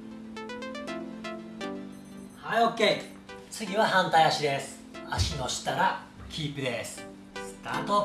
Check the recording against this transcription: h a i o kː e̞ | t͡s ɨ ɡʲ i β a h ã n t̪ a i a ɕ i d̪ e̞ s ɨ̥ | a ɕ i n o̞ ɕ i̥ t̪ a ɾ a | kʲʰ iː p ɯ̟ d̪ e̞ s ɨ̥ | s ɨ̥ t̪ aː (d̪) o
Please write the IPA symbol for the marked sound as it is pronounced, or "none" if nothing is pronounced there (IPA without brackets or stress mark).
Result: t̪